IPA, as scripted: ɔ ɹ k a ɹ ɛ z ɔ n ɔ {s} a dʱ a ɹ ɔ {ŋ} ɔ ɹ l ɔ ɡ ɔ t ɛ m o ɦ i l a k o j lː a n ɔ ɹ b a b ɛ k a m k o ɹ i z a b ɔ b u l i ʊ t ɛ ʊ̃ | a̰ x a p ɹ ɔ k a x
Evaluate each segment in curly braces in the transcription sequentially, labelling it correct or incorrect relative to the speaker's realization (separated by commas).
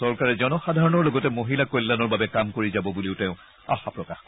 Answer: incorrect, incorrect